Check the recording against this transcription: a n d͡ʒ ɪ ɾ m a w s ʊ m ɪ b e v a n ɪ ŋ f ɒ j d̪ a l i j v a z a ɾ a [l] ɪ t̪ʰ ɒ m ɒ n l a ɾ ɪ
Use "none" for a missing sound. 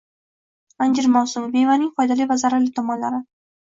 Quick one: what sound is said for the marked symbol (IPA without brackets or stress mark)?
l